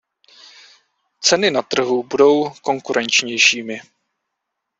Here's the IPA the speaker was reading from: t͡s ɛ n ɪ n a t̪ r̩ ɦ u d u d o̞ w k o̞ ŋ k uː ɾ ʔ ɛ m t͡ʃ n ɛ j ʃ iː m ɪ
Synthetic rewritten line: t͡s ɛ n ɪ n a t̪ r̩ ɦ u b u d o̞ w k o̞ ŋ k u ɾ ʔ ɛ n t͡ʃ ɲ ɛ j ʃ iː m ɪ